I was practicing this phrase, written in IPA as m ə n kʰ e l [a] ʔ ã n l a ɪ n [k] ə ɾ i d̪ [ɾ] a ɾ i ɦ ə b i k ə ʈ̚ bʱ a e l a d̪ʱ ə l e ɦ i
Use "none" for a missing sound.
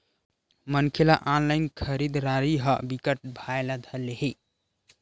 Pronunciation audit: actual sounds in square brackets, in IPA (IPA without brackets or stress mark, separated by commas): a, kʰ, ɾ